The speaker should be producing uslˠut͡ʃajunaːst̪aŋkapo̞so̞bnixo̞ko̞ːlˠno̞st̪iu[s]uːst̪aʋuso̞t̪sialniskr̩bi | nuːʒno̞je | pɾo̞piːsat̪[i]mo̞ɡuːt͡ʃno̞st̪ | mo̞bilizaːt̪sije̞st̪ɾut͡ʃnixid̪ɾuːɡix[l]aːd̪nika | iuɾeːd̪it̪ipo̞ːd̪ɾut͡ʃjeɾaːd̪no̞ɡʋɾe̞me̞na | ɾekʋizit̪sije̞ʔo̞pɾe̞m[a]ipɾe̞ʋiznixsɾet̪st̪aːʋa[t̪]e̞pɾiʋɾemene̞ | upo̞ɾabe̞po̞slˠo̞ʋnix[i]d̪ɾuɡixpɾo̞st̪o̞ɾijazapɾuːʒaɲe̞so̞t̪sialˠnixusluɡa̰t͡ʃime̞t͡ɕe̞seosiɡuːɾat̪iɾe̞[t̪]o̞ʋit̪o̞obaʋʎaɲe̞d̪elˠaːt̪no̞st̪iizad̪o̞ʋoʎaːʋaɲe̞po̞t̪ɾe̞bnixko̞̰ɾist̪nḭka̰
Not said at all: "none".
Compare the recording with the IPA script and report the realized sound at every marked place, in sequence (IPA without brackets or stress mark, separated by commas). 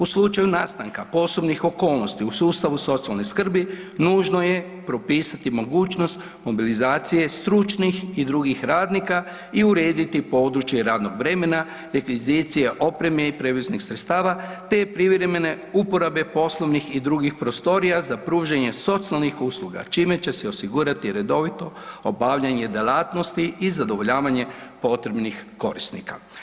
s, i, ɾ, e, t̪, i, d̪